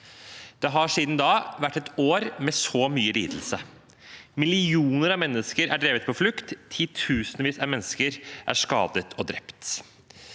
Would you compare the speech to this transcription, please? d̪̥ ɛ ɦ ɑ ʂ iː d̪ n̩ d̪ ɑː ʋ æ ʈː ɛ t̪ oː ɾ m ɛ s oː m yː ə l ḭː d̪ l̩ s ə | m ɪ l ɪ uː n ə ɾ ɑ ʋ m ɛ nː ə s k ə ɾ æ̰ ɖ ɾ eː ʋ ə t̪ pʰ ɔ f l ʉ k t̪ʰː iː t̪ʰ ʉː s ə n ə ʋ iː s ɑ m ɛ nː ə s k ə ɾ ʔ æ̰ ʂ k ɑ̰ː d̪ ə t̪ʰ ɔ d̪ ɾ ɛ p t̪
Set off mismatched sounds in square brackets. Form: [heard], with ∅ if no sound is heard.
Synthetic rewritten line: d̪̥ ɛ ɦ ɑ ʂ iː d̪ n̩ d̪ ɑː ʋ æ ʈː ɛ t̪ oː ɾ m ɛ s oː m yː ə l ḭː d̪ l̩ s ə | m ɪ l ɪ uː n ə ɾ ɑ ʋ m ɛ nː ə s k ə ɾ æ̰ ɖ ɾ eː ʋ ə t̪ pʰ ɔ f l ʉ k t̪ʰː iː t̪ʰ ʉː s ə n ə ʋ iː s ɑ m ɛ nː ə s k ə ɾ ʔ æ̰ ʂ k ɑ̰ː d̪ ə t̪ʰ ɔ d̪ ɾ ɛ p t̪